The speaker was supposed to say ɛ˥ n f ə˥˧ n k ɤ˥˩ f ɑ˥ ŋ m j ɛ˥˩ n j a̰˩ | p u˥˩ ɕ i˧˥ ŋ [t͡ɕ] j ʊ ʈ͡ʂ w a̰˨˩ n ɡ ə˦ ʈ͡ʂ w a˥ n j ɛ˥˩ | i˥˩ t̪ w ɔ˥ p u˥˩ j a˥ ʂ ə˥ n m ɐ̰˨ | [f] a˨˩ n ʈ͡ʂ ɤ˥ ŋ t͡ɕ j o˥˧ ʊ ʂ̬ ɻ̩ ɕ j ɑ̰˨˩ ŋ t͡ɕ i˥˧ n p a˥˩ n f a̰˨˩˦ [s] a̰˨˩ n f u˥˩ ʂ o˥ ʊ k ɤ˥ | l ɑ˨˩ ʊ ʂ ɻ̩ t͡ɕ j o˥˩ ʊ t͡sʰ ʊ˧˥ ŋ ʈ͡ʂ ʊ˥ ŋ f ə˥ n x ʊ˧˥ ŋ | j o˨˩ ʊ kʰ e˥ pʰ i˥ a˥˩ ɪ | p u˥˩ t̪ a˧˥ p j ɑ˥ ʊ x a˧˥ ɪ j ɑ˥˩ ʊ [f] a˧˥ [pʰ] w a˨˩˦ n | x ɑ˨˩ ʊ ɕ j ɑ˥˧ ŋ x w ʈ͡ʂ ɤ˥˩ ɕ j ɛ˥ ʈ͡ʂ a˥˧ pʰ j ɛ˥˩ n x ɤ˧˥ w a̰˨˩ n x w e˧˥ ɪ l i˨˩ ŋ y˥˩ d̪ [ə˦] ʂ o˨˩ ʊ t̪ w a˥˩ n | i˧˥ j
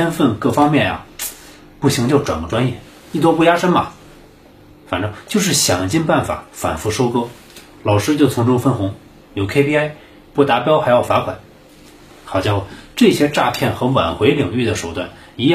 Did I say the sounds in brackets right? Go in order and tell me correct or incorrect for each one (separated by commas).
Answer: correct, correct, incorrect, correct, incorrect, incorrect